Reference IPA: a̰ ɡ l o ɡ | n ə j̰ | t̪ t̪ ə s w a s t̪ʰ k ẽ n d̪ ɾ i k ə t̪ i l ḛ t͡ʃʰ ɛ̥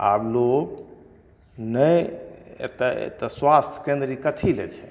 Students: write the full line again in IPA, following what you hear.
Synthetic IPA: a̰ b l o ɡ | n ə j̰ | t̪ t̪ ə s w a s t̪ʰ k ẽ n d̪ ɾ i k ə t̪ʰ i l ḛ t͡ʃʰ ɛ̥